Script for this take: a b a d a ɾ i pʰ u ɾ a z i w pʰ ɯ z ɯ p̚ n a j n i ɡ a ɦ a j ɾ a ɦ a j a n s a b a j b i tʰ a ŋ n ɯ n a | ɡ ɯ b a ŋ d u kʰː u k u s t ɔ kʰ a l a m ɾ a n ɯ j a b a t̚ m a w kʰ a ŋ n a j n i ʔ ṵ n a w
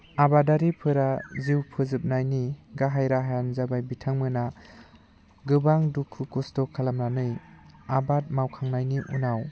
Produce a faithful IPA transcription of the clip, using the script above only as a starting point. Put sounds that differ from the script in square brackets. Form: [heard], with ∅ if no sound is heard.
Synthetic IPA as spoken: a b a d a ɾ i pʰ [ɯ] ɾ a z i w pʰ ɯ z ɯ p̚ n a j n i ɡ a ɦ a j ɾ a ɦ a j a n [z] a b a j b i tʰ a ŋ [m] ɯ n a | ɡ ɯ b a ŋ d u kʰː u k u s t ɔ kʰ a l a m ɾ a n ɯ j a b a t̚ m a w kʰ a ŋ n a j n i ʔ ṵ n a w